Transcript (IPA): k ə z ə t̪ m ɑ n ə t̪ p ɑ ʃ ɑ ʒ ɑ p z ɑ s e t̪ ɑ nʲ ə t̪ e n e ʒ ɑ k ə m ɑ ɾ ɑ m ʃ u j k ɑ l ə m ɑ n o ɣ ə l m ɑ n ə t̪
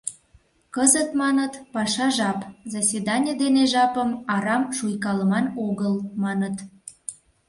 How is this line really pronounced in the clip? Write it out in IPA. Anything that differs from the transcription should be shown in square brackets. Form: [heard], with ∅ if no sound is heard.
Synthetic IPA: k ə z ə t̪ m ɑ n ə t̪ p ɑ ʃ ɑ ʒ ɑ p z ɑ s e [d̪] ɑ nʲ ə [d̪] e n e ʒ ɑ [p] ə m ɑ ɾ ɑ m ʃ u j k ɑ l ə m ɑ n o ɣ ə l m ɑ n ə t̪

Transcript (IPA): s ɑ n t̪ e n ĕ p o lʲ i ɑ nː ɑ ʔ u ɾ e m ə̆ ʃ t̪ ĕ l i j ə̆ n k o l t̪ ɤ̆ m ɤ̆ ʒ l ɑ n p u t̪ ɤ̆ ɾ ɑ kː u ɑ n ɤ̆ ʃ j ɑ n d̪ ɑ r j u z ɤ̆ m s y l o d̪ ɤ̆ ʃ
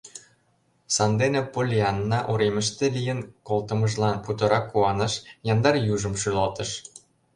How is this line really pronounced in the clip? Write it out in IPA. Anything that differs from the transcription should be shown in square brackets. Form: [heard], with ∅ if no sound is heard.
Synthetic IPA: s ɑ n [d̪] e n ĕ p o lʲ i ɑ nː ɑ ʔ u ɾ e m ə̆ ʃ t̪ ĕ l i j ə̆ n k o l t̪ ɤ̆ m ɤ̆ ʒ l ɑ n p u t̪ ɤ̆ ɾ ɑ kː u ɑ n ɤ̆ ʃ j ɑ n d̪ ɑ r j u [ʒ] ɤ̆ m [ʃ] y l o [t̪] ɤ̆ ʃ

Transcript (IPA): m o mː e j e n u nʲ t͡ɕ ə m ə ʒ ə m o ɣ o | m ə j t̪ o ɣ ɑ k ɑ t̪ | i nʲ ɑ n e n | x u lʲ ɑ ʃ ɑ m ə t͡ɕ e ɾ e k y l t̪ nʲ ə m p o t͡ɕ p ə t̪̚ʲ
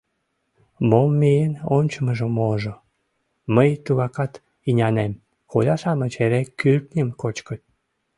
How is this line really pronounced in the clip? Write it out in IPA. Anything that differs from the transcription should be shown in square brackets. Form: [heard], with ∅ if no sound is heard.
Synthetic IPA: m o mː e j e n [o] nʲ t͡ɕ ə m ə ʒ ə m o [ʒ] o | m ə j t̪ [u] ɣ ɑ k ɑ t̪ | i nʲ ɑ n e [m] | x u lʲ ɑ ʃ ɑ m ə t͡ɕ e ɾ e k y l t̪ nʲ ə m [k] o t͡ɕ [k] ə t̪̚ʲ

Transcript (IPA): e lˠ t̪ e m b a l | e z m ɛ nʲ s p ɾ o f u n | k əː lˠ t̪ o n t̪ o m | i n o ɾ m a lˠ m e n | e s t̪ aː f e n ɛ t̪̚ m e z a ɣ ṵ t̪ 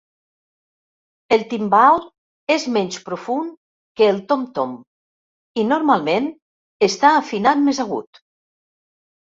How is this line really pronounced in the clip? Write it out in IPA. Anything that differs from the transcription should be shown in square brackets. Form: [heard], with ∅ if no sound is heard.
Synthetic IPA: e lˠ t̪ [i] m b a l | e z m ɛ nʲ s p ɾ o f u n | k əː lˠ t̪ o [m] t̪ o m | i n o ɾ m a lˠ m e n | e s t̪ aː f [i] n [a] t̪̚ m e z a ɣ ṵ t̪

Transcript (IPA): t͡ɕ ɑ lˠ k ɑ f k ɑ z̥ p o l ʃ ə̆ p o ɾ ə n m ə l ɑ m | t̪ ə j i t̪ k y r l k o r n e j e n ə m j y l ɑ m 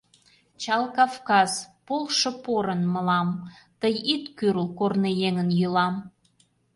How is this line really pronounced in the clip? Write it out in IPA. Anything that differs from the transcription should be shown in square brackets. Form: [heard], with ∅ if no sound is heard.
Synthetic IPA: t͡ɕ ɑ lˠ k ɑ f k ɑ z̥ p o l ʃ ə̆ p o ɾ ə n m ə l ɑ m | t̪ ə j i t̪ k y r l k o r n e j e [ŋ] ə [n] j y l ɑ m

